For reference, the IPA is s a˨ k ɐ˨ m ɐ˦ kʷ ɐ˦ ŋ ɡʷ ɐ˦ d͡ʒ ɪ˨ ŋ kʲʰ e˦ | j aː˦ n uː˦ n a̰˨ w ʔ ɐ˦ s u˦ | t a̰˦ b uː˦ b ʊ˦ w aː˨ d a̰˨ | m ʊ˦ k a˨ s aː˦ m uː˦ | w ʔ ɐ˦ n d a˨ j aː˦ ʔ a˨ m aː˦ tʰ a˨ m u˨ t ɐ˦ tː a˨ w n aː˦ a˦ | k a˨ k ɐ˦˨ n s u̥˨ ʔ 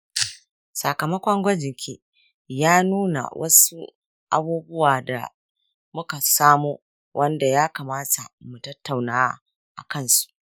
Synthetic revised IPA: s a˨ k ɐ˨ m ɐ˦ kʷ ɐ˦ ŋ ɡʷ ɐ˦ d͡ʒ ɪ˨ ŋ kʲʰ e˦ | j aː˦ n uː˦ n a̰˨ w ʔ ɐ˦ s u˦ | ʔ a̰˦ b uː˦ b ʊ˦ w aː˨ d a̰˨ | m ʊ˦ k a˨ s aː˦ m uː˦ | w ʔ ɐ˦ n d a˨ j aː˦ k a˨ m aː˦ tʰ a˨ m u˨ t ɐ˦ tː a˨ w n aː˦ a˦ | ʔ a˨ k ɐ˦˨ n s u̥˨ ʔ